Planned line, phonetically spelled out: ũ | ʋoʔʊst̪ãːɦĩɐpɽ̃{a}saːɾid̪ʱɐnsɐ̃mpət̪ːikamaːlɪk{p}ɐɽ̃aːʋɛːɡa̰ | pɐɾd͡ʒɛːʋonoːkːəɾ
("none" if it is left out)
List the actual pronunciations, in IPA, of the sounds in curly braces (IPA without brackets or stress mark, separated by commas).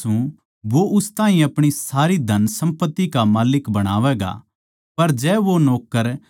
i, b